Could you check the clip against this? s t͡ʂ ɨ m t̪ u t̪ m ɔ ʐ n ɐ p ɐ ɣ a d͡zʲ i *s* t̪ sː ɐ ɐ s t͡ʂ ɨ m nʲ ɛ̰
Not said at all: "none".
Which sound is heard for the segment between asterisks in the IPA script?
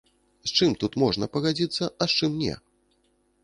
none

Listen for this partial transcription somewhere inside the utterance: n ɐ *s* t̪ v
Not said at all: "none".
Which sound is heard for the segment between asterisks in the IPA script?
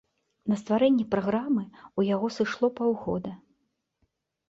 s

